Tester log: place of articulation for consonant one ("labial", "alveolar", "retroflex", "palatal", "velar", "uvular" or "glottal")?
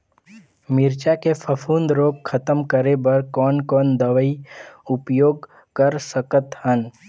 labial